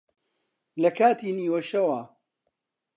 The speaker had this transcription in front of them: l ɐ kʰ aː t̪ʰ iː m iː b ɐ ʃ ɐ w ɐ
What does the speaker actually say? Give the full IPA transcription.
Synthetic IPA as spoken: l ɐ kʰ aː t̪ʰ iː n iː w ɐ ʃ ɐ w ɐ